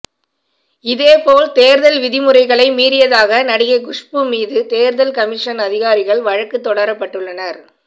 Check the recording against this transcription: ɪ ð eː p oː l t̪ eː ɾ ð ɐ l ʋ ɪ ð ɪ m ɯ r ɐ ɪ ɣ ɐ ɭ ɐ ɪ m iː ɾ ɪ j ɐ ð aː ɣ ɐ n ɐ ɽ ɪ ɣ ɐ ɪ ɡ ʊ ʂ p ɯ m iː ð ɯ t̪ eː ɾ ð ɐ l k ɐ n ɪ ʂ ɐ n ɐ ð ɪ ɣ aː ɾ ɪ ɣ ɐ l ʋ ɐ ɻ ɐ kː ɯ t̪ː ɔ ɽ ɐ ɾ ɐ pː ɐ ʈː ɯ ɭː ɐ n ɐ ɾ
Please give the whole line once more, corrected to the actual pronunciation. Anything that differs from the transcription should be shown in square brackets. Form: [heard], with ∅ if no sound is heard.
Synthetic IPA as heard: ɪ ð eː p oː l t̪ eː ɾ ð ɐ l ʋ ɪ ð ɪ m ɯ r ɐ ɪ ɣ ɐ ɭ ɐ ɪ m iː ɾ ɪ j ɐ ð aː ɣ ɐ n ɐ ɽ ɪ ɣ ɐ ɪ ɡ ʊ ʂ p ɯ m iː ð ɯ t̪ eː ɾ ð ɐ l k ɐ [m] ɪ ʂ ɐ n ɐ ð ɪ ɣ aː ɾ ɪ ɣ ɐ [ɭ] ʋ ɐ ɻ ɐ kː ɯ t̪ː ɔ ɽ ɐ ɾ ɐ pː ɐ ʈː ɯ ɭː ɐ n ɐ ɾ